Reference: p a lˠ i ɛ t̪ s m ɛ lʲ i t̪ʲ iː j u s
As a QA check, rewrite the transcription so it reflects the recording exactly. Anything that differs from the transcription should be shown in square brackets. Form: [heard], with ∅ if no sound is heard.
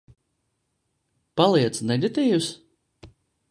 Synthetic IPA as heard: p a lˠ i ɛ t̪ s [n] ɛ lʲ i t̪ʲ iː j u s